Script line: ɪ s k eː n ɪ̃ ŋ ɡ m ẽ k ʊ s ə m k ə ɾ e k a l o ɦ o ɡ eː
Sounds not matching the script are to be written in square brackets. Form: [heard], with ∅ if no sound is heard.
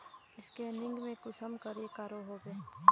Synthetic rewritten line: ɪ s k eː n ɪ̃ ŋ ɡ m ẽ k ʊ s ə m k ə ɾ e k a [ɾ] o ɦ o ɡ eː